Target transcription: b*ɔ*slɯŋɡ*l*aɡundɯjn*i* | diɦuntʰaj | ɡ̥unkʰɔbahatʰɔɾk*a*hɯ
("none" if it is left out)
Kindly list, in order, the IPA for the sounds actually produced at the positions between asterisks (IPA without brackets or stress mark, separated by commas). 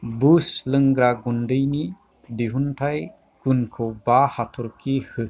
u, ɾ, i, i